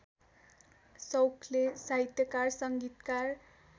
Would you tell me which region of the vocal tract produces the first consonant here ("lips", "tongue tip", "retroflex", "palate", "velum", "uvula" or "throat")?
tongue tip